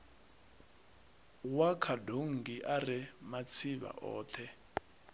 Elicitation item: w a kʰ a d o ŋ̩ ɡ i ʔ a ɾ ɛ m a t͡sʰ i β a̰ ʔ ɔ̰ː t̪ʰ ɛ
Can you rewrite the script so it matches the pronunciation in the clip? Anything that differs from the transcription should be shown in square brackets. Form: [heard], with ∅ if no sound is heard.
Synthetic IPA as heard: w a kʰ a d o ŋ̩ ɡ i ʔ a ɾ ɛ m a t͡sʰ i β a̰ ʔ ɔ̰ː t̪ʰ ɛ